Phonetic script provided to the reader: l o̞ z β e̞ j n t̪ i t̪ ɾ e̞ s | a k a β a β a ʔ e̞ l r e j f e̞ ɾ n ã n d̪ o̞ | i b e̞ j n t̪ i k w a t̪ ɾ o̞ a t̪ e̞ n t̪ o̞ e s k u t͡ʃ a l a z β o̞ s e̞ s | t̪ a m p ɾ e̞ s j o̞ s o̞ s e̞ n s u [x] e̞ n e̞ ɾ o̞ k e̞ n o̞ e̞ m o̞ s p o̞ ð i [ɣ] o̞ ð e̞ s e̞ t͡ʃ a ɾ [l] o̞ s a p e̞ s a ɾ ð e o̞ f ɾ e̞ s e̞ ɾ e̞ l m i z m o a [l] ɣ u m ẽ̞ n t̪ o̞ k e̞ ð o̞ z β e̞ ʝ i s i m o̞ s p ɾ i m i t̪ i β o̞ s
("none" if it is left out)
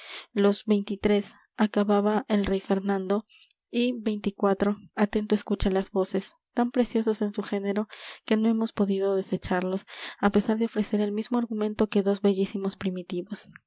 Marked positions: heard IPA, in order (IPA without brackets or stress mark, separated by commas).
x, ð, l, ɾ